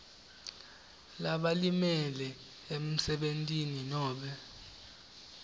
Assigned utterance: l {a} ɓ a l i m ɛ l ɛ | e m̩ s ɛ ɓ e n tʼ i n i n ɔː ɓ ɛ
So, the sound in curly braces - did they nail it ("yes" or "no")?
yes